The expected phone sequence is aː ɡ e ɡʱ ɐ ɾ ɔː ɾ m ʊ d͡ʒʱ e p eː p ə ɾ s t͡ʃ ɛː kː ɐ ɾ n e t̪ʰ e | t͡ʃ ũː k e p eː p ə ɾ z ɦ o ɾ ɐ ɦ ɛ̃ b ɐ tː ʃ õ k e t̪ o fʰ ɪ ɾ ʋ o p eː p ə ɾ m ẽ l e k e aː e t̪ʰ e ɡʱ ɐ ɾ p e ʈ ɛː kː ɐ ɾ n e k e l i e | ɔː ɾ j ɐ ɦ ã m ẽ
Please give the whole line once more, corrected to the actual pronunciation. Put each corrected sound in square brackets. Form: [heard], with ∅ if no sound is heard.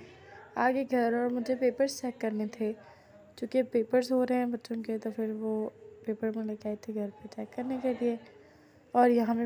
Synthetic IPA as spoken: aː ɡ e ɡʱ ɐ ɾ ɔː ɾ m ʊ d͡ʒʱ e p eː p ə ɾ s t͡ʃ ɛː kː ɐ ɾ n e t̪ʰ e | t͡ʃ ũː k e p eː p ə ɾ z ɦ o ɾ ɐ ɦ ɛ̃ b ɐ tː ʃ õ k e t̪ o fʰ ɪ ɾ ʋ o p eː p ə ɾ m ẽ l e k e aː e t̪ʰ e ɡʱ ɐ ɾ p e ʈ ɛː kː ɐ ɾ n e k e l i e | ɔː ɾ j ɐ ɦ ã m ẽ